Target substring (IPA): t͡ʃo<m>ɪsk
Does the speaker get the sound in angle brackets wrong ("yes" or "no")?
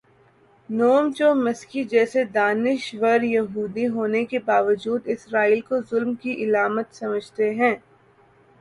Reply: no